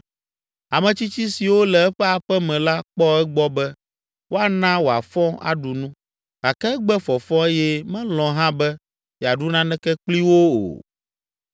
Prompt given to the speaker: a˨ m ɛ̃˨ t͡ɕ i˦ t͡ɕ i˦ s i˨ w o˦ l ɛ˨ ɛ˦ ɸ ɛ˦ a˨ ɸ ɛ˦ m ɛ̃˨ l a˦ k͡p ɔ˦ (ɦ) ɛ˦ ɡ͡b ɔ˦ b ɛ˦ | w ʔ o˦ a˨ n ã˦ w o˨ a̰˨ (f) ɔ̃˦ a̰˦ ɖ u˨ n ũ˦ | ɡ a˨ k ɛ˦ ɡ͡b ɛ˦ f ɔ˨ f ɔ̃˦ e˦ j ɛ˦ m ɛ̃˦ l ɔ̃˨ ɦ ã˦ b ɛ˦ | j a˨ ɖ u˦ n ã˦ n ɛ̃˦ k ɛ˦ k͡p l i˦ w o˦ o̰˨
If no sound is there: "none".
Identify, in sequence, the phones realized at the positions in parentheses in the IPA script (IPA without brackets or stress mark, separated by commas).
none, f